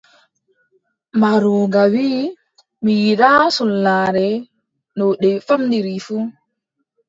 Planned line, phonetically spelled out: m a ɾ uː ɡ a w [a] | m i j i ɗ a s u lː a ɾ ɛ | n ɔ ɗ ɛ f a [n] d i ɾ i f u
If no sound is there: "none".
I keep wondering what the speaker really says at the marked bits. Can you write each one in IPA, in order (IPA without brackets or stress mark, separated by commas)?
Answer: i, m